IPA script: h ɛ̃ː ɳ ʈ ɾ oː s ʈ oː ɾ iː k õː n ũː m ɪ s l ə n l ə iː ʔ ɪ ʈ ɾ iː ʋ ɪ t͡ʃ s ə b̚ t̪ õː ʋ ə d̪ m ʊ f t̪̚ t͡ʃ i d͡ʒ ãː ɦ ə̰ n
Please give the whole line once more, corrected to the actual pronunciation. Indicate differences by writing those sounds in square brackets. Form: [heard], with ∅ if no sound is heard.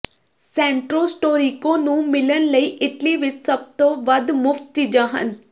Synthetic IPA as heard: [s] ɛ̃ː ɳ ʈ ɾ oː s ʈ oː ɾ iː k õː n ũː m ɪ [∅] l ə n l ə iː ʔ ɪ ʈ [l] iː ʋ ɪ t͡ʃ s ə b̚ t̪ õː ʋ ə d̪ m ʊ f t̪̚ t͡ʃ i d͡ʒ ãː ɦ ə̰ n